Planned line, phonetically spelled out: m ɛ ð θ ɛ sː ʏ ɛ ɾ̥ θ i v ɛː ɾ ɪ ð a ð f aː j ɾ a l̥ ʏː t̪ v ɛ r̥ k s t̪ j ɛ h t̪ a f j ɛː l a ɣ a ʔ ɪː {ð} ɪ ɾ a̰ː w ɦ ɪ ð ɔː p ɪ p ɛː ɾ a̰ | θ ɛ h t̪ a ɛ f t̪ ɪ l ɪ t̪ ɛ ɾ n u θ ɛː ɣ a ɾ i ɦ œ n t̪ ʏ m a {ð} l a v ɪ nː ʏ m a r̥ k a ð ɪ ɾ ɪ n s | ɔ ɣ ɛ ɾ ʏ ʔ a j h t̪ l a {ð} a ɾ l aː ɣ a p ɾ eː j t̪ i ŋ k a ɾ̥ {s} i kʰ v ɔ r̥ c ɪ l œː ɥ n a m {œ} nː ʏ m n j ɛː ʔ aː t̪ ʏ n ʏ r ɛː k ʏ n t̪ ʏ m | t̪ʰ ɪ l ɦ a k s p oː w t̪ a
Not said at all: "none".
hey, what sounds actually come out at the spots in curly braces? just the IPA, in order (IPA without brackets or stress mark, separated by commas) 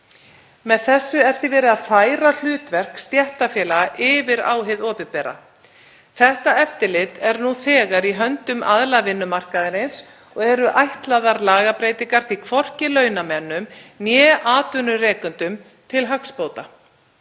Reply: v, ð, ð, θ, ɛ